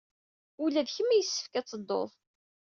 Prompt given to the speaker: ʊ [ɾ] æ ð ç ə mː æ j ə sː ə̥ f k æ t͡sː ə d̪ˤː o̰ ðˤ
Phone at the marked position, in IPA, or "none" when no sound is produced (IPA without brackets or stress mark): l